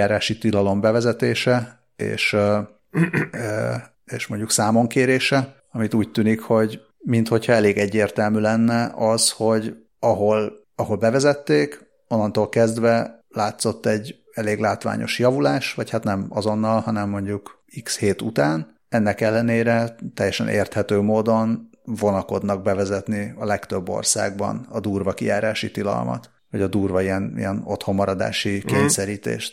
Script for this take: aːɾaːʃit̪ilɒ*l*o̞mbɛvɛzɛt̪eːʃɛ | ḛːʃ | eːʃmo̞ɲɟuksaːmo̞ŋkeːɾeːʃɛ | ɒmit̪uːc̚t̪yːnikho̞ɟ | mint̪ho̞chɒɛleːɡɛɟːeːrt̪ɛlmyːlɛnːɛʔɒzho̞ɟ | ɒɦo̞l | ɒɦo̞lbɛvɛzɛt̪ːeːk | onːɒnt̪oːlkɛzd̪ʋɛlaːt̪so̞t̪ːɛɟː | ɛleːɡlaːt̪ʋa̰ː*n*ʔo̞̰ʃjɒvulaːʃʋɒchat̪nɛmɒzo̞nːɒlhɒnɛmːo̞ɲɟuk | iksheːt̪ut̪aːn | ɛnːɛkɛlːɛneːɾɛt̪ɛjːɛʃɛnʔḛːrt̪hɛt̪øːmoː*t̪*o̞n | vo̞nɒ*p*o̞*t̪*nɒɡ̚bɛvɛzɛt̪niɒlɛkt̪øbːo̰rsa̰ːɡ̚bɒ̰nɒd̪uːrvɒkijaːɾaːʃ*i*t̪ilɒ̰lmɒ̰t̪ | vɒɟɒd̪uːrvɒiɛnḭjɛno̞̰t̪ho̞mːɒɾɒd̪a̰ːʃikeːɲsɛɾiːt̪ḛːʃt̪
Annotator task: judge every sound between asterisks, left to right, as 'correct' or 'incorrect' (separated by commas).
correct, incorrect, incorrect, incorrect, incorrect, correct